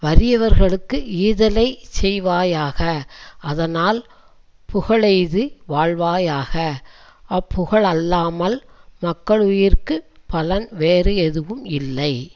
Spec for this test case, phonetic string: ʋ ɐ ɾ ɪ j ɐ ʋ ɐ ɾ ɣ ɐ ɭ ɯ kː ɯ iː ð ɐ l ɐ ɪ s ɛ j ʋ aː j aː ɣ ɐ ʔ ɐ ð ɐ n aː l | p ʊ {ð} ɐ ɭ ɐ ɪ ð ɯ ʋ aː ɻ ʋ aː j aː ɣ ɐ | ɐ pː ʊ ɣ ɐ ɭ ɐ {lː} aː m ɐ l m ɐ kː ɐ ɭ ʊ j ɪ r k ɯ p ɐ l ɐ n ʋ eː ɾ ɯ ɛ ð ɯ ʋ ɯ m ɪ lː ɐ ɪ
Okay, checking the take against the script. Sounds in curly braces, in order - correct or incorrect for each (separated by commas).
incorrect, correct